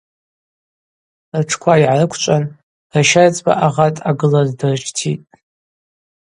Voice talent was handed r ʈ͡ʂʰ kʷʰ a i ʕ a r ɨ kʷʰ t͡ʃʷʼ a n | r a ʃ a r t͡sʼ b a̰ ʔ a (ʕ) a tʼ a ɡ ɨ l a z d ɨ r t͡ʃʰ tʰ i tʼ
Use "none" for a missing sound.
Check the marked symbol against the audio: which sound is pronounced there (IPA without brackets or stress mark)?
ʁ